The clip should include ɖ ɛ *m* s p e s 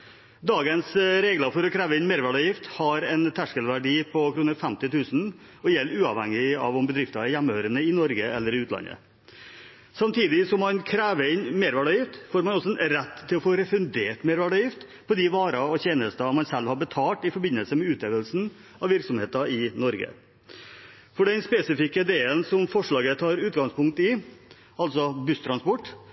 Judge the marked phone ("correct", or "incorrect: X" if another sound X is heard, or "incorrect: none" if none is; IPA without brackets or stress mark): incorrect: n